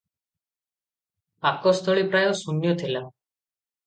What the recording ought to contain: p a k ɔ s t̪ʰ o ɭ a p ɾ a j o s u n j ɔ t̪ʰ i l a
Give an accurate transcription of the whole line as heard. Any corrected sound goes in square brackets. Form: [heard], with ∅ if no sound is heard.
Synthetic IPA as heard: p a k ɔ s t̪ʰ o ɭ [i] p ɾ a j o s u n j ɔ t̪ʰ i l a

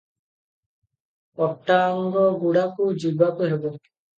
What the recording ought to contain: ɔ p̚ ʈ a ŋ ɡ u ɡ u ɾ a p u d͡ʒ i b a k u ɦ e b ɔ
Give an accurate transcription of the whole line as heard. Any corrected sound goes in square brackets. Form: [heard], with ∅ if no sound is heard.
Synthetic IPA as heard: ɔ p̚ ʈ a ŋ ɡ [ɔ] ɡ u [ɽ] a [k] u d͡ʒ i b a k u ɦ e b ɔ

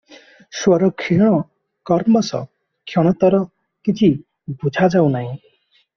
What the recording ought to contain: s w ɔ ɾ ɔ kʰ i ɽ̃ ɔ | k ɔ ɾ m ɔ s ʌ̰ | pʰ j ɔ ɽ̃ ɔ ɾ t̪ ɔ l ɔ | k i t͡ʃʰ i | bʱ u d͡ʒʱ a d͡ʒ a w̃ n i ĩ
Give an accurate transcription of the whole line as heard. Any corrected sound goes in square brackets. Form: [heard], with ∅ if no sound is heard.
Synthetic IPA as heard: s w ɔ ɾ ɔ kʰ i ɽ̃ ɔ | k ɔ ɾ m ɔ s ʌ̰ | [kʰ] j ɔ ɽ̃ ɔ [∅] t̪ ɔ [ɾ] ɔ | k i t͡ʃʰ i | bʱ u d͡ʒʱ a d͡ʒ a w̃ n [a] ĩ

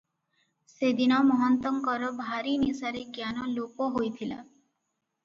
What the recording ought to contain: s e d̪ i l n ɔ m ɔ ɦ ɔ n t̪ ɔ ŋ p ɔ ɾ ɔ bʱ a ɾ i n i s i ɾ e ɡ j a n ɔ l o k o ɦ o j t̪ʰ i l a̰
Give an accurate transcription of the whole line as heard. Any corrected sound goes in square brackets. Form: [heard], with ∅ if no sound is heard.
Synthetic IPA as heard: s e d̪ i [∅] n ɔ m ɔ ɦ ɔ n t̪ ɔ ŋ [k] ɔ ɾ ɔ bʱ a ɾ i n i s [a] ɾ e ɡ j a n ɔ l o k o ɦ o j t̪ʰ i l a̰

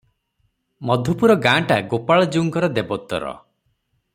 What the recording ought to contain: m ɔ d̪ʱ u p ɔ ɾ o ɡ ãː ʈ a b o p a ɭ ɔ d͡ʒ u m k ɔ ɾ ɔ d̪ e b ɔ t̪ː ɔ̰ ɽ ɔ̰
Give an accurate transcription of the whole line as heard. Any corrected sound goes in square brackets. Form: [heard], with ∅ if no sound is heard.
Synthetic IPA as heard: m ɔ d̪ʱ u p [u] ɾ [ɔ] ɡ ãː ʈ a [ɡ] o p a ɭ ɔ d͡ʒ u [ŋ] k ɔ ɾ ɔ d̪ e b ɔ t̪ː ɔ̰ [ɾ] ɔ̰

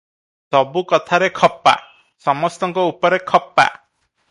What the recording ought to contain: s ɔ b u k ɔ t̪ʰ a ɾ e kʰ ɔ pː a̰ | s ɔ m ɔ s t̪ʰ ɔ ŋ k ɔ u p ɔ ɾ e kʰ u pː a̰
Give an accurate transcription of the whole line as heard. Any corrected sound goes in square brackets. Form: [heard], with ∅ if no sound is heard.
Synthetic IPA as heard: s ɔ b u k ɔ t̪ʰ a ɾ e kʰ ɔ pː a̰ | s ɔ m ɔ s [t̪] ɔ ŋ k ɔ u p ɔ ɾ e kʰ [ɔ] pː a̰

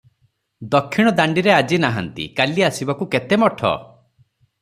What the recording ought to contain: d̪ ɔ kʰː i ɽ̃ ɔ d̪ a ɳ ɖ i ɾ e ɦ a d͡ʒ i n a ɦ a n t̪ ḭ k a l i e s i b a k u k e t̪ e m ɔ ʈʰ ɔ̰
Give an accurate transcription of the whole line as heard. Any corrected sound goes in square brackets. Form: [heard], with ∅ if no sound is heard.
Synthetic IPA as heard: d̪ ɔ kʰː i ɽ̃ ɔ d̪ a ɳ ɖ i ɾ e [∅] a d͡ʒ i n a ɦ a n t̪ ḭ k a l i [a] s i b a k u k e t̪ e m ɔ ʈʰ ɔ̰

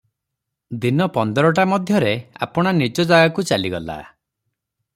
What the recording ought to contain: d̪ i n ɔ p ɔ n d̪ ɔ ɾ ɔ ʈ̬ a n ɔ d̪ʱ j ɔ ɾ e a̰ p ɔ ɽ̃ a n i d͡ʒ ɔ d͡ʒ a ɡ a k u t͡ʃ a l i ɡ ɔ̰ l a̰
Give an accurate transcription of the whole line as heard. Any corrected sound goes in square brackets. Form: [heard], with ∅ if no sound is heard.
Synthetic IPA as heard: d̪ i n ɔ p ɔ n d̪ ɔ ɾ ɔ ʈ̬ a [m] ɔ d̪ʱ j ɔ ɾ e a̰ p ɔ ɽ̃ a n i d͡ʒ ɔ d͡ʒ a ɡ a k u t͡ʃ a l i ɡ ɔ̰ l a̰

